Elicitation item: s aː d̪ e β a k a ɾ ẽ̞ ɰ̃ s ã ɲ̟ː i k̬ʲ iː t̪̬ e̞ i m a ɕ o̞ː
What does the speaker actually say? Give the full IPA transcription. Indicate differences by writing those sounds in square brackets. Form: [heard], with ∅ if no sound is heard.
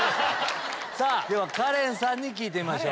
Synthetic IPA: s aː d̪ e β a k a ɾ ẽ̞ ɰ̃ s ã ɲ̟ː i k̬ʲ iː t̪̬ e̞ i m a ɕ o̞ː

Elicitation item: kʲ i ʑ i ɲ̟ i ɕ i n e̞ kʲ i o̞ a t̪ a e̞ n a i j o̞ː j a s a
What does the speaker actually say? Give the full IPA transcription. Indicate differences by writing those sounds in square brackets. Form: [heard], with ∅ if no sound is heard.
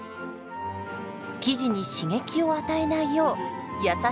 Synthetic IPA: kʲ i ʑ i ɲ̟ i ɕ i [ŋ] e̞ kʲ i o̞ a t̪ a e̞ n a i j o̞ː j a s a

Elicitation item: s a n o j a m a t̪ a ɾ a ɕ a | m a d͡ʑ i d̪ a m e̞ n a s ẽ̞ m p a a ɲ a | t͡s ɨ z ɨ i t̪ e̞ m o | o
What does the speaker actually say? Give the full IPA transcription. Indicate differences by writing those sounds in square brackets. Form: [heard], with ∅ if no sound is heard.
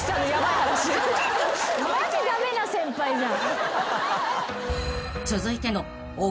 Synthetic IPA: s a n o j a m a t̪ a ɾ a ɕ [i] | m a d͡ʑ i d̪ a m e̞ n a s ẽ̞ m p a [i] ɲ a | t͡s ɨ z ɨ i t̪ e̞ [n] o | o

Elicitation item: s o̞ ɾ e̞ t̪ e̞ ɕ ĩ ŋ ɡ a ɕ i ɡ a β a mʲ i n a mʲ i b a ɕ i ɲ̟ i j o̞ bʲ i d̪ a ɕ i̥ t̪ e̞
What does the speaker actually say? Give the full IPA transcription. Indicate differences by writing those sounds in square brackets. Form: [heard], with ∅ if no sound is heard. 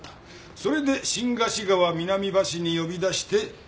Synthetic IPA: s o̞ ɾ e̞ [d̪] e̞ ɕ ĩ ŋ ɡ a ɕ i ɡ a β a mʲ i n a mʲ i b a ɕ i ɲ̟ i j o̞ bʲ i d̪ a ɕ i̥ t̪ e̞

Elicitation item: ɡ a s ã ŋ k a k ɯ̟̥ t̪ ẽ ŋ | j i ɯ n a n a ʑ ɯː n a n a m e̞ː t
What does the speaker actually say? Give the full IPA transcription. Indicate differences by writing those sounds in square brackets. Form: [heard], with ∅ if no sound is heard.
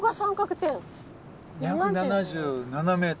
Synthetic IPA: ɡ a s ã ŋ k a k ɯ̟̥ t̪ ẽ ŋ | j [a] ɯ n a n a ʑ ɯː n a n a m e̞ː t

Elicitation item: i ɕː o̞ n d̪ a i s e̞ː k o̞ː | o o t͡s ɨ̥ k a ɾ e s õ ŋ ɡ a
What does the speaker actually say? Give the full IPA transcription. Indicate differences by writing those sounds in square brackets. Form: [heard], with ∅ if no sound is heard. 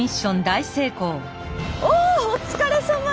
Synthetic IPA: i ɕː [õ̞] n d̪ a i s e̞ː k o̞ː | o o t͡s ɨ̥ k a ɾ e s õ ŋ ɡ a

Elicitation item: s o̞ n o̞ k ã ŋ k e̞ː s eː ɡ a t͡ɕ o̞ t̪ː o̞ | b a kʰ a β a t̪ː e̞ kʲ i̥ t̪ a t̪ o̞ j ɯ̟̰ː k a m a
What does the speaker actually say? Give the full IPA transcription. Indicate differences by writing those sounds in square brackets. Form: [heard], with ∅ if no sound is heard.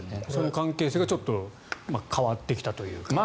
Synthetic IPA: s o̞ n o̞ k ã ŋ k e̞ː s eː ɡ a t͡ɕ o̞ t̪ː o̞ | [m] a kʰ a β a t̪ː e̞ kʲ i̥ t̪ a t̪ o̞ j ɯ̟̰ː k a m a

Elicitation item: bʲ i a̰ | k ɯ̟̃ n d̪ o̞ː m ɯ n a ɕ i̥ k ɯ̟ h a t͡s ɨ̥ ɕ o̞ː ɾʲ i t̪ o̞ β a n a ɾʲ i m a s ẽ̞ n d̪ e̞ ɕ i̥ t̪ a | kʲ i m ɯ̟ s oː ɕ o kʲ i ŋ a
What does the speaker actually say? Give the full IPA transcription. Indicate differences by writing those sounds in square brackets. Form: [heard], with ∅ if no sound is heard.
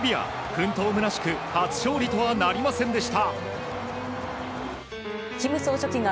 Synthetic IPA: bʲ i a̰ | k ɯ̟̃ n [t̪] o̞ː m ɯ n a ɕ i̥ k ɯ̟ h a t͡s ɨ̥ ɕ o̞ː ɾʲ i t̪ o̞ β a n a ɾʲ i m a s ẽ̞ n d̪ e̞ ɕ i̥ t̪ a | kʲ i m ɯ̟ s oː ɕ o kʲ i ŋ a

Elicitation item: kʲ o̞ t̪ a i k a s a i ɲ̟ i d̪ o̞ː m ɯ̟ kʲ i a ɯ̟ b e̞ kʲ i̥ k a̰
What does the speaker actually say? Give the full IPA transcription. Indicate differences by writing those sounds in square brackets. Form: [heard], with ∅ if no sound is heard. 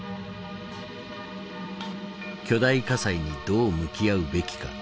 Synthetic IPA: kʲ o̞ [d̪] a i k a s a i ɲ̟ i d̪ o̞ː m ɯ̟ kʲ i a ɯ̟ b e̞ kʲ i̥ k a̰

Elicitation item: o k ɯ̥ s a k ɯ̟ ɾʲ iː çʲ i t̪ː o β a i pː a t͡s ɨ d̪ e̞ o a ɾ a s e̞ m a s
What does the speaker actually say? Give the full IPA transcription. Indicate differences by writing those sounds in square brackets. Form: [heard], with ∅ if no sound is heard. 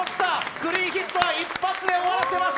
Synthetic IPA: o k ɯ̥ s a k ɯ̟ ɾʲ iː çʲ i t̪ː o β a i pː a t͡s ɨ d̪ e̞ o a ɾ a s e̞ m a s

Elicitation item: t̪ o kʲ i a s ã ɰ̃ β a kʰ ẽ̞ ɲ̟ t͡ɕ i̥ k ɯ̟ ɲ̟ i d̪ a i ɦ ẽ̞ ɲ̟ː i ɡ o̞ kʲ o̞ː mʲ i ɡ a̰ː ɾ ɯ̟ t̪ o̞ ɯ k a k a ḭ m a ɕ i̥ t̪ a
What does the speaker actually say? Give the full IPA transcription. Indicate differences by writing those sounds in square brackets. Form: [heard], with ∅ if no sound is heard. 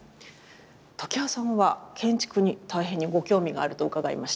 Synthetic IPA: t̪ o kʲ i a s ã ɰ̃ β a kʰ ẽ̞ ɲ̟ t͡ɕ i̥ k ɯ̟ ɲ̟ i [t̪] a i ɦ ẽ̞ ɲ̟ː i ɡ o̞ kʲ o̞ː mʲ i ɡ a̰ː ɾ ɯ̟ t̪ o̞ ɯ k a [ɡ] a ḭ m a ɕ i̥ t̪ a

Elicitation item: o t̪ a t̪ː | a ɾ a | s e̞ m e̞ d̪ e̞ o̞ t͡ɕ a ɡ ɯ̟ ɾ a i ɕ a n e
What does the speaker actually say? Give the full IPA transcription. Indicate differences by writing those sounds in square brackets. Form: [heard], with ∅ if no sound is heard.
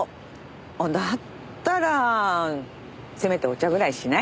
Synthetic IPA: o [d̪] a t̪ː | a ɾ a | s e̞ m e̞ [t̪] e̞ o̞ t͡ɕ a ɡ ɯ̟ ɾ a i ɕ [i] n [a]

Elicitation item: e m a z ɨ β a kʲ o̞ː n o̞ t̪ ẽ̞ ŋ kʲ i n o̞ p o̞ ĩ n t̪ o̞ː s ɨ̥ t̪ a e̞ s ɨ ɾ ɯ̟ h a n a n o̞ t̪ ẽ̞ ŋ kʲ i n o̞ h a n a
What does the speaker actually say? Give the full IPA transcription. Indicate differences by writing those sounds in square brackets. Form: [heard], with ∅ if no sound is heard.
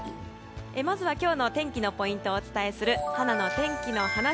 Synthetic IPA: e m a z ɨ β a kʲ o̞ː n o̞ t̪ ẽ̞ ŋ kʲ i n o̞ p o̞ ĩ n t̪ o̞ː [t͡s] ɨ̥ t̪ a e̞ s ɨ ɾ ɯ̟ h a n a n o̞ t̪ ẽ̞ ŋ kʲ i n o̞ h a n a

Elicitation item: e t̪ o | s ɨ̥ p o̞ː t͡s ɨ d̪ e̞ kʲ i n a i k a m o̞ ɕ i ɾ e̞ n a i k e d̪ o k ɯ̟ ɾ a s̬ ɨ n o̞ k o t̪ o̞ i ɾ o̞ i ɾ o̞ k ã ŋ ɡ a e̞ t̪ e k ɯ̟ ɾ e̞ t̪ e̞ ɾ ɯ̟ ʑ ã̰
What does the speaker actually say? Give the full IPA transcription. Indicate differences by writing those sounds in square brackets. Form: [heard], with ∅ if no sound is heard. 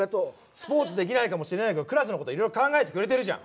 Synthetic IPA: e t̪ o | s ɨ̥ p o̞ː t͡s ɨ d̪ e̞ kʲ i n a i k a m o̞ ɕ i ɾ e̞ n a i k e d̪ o k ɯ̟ ɾ a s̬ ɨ n o̞ k o t̪ o̞ i ɾ o̞ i ɾ o̞ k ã ŋ ɡ a e̞ t̪ e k ɯ̟ ɾ e̞ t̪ e̞ ɾ ɯ̟ ʑ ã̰

